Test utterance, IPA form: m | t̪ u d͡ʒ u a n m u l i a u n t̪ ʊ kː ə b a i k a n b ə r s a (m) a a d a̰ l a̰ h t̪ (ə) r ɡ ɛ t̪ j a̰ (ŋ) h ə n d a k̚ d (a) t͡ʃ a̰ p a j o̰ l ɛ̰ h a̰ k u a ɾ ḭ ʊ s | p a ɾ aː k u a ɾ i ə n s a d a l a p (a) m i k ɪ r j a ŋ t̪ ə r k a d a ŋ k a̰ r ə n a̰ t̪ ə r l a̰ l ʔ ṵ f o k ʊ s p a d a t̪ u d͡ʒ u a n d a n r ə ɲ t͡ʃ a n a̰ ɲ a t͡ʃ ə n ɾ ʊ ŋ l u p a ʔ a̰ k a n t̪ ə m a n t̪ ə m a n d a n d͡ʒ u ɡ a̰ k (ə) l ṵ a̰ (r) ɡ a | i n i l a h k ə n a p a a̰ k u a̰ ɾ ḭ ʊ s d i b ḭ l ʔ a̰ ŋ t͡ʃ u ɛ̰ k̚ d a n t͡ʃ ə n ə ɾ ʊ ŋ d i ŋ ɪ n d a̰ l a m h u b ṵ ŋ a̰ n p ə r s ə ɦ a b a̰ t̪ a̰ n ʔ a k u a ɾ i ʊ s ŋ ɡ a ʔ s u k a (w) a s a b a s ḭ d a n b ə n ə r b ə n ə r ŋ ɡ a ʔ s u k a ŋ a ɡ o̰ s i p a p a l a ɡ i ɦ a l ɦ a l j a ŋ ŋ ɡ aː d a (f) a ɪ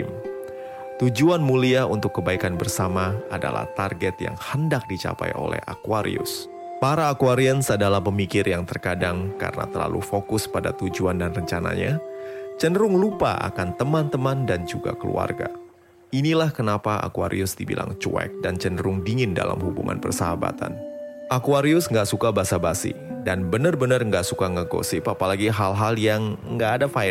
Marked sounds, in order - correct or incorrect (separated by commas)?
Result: correct, incorrect, correct, incorrect, incorrect, correct, correct, incorrect, correct